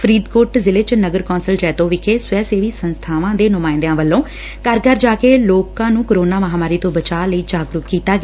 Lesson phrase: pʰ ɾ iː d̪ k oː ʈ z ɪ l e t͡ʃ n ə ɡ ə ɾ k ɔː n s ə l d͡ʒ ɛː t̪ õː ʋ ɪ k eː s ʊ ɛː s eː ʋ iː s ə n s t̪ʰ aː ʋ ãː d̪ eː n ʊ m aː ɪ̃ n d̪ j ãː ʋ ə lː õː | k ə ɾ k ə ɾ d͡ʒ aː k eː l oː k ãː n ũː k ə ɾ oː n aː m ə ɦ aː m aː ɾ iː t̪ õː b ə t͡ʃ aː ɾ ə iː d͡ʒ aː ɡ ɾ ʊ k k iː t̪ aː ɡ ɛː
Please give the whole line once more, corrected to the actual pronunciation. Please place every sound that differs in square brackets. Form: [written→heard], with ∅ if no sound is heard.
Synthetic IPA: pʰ ɾ iː d̪ k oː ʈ z ɪ l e t͡ʃ n ə ɡ ə ɾ k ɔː n s ə l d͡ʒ ɛː t̪ õː ʋ ɪ [k→kʰ] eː s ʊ ɛː s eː ʋ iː s ə n s t̪ʰ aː ʋ ãː d̪ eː n ʊ m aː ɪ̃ n d̪ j ãː ʋ ə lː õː | k ə ɾ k ə ɾ d͡ʒ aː k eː l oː k ãː n ũː k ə ɾ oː n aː m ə ɦ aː m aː ɾ iː t̪ õː b ə t͡ʃ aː [ɾ→l] ə iː d͡ʒ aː ɡ ɾ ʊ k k iː t̪ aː ɡ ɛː